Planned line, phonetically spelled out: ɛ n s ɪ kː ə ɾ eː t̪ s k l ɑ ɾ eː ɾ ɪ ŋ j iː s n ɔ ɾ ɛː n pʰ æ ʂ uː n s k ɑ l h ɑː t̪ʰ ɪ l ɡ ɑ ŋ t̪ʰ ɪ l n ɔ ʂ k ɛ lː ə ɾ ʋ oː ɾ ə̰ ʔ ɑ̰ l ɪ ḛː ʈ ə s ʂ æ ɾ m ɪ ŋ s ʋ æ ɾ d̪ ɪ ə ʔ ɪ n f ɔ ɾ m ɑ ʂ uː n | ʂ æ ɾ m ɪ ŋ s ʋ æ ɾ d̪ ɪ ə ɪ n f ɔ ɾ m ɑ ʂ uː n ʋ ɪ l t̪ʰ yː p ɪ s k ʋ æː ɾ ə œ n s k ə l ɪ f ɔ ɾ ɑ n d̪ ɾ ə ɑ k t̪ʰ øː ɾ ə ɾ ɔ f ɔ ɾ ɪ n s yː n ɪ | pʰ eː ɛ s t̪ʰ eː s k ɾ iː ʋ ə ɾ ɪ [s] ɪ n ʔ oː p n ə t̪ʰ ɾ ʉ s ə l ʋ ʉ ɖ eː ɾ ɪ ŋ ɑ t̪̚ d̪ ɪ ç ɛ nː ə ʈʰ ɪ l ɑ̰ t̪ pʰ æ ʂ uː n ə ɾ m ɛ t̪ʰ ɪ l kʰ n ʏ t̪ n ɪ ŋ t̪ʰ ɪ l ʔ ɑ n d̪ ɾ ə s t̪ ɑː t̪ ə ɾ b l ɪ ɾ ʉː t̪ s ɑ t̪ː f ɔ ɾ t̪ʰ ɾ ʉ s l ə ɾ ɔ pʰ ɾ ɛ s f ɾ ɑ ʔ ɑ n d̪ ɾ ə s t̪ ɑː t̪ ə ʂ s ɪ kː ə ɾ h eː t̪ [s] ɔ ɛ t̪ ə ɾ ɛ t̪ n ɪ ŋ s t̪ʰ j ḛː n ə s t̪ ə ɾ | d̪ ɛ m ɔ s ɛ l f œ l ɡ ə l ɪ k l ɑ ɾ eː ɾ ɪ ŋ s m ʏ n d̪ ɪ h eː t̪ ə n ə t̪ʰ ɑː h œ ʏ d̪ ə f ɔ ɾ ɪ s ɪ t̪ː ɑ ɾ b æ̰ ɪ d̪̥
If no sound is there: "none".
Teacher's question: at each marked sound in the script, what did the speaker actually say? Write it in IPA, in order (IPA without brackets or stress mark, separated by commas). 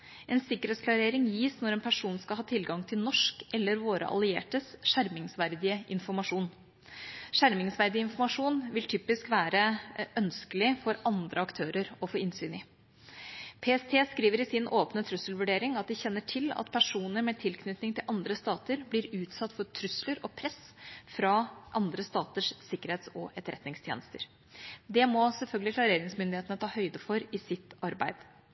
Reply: s, s